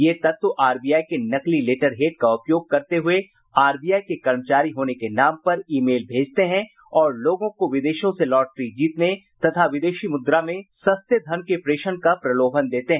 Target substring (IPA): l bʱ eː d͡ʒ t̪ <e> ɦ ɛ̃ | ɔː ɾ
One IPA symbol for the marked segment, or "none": e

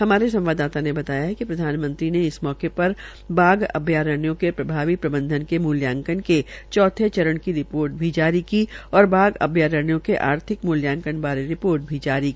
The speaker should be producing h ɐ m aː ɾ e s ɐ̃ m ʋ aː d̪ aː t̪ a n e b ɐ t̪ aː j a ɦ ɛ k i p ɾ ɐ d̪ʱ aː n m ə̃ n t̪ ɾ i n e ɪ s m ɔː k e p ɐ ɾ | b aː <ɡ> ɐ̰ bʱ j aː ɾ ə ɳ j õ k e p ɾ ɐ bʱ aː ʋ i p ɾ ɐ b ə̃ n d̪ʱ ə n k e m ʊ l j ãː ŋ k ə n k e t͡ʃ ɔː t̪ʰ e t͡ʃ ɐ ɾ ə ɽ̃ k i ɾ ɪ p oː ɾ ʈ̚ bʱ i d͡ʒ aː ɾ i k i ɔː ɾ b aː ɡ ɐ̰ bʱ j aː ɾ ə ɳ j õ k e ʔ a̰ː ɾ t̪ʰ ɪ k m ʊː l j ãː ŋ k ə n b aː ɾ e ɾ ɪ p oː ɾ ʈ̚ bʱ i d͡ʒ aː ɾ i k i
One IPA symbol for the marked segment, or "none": ɡ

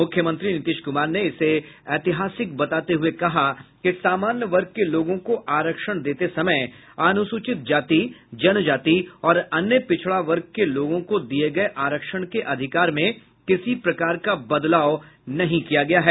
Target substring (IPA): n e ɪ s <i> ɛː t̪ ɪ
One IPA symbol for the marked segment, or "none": e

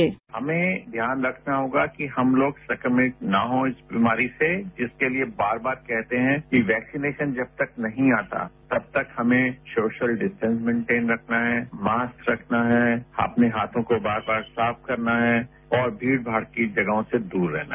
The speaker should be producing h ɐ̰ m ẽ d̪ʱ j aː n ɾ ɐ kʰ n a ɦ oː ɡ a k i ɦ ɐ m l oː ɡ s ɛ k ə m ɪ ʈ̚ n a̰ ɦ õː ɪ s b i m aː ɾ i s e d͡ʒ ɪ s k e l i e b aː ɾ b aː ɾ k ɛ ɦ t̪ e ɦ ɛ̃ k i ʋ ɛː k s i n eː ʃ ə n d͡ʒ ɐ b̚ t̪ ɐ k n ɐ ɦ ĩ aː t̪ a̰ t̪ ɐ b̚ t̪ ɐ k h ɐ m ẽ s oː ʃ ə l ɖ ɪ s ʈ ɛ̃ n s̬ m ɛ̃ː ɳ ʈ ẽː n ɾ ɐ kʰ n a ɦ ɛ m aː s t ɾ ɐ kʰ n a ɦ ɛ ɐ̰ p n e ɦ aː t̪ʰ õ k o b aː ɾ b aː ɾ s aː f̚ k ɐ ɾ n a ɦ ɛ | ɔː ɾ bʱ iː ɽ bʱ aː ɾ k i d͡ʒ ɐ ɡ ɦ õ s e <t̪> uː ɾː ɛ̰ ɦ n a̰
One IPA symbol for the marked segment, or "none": d̪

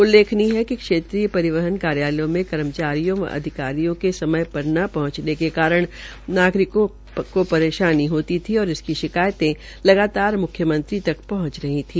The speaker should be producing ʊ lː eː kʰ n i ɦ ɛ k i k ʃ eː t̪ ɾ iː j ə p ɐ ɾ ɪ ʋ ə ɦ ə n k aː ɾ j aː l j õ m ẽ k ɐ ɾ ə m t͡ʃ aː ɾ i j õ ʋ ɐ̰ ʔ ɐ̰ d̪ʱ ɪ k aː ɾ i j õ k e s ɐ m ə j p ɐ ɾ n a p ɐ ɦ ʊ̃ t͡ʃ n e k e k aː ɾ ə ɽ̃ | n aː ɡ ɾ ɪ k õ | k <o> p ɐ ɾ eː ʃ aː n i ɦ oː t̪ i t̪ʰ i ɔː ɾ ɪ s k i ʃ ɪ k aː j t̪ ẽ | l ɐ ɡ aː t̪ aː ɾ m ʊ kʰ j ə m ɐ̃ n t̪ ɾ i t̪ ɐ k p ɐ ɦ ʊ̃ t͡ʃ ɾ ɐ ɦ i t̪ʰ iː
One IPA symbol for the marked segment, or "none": o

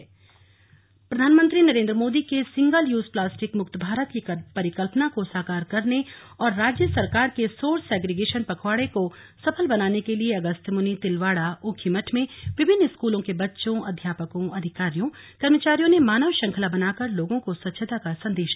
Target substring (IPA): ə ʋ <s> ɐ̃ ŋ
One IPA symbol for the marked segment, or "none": ʃ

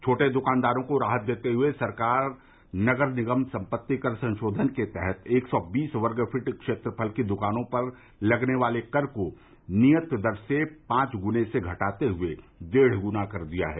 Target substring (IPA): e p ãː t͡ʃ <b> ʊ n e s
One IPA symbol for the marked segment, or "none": ɡ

